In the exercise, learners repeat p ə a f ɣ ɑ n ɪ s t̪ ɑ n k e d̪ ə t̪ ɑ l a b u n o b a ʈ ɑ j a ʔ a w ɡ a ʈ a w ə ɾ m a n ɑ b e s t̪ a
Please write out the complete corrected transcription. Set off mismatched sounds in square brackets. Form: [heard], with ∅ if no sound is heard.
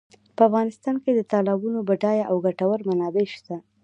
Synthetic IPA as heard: p ə a f ɣ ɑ n ɪ s t̪ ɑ n k e d̪ ə t̪ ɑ l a b u n o b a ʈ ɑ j a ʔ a w ɡ a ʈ a w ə ɾ m a n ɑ b e [ʃ] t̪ a